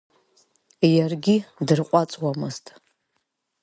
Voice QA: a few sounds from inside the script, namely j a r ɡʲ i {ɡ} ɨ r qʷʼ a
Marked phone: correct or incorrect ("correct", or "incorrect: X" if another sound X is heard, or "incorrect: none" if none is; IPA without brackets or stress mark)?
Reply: incorrect: d